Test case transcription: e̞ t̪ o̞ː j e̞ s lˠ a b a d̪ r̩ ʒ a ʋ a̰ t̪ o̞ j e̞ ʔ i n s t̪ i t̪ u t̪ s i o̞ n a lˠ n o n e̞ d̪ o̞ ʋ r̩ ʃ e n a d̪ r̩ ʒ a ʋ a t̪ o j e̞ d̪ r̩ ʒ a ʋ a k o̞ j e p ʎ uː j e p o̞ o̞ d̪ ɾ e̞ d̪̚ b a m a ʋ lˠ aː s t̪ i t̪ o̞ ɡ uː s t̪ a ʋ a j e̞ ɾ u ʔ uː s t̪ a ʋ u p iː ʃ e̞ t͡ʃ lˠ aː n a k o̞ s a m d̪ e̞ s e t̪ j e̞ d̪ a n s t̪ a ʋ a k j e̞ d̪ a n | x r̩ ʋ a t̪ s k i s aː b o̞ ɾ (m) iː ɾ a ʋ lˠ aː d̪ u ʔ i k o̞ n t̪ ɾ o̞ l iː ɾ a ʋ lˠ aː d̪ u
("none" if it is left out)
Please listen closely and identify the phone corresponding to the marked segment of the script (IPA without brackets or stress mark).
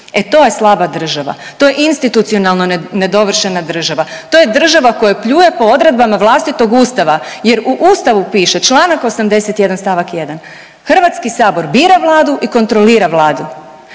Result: b